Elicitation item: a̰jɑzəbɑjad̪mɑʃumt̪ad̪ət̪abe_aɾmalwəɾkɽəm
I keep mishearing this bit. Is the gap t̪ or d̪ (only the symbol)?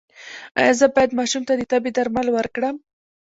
d̪